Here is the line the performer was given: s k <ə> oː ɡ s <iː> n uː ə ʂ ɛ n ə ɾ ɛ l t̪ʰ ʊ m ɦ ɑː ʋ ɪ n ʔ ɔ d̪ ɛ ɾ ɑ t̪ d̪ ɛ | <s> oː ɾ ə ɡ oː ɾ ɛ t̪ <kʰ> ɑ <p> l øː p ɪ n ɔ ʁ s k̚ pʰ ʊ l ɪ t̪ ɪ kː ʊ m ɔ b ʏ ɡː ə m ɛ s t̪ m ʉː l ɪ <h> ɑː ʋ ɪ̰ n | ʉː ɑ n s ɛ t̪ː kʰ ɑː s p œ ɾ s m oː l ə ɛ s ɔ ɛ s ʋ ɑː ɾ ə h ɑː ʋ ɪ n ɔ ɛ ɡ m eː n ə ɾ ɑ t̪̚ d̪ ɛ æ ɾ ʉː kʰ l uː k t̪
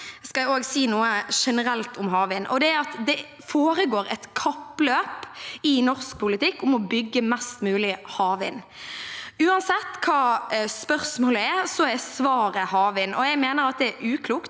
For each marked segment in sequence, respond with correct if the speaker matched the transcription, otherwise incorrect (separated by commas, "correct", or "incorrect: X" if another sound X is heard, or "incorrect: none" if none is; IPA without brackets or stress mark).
incorrect: ɑ, correct, incorrect: f, correct, correct, correct